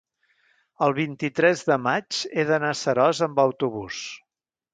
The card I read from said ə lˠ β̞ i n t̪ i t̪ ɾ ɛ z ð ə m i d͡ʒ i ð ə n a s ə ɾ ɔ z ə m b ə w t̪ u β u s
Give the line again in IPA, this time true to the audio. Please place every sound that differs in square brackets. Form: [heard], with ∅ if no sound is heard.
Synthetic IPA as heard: ə lˠ β̞ i n t̪ i t̪ ɾ ɛ z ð ə m [a] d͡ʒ [e] ð ə n a s ə ɾ ɔ z ə m b ə w t̪ u β u s